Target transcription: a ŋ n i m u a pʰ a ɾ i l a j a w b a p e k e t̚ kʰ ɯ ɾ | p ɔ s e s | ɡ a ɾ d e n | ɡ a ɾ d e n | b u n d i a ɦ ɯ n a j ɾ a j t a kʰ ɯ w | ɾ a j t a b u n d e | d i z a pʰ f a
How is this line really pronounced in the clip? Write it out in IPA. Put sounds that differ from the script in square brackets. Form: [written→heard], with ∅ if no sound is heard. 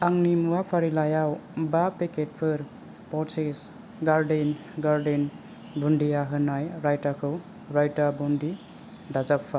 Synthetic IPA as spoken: a ŋ n i m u a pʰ a ɾ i l a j a w b a p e k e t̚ [kʰ→pʰ] ɯ ɾ | p ɔ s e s | ɡ a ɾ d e n | ɡ a ɾ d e n | b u n d i a ɦ ɯ n a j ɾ a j t a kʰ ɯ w | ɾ a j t a b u n d [e→i] | d [i→a] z a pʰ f a